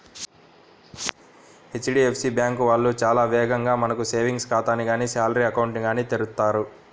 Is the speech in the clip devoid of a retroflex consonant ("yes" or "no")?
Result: no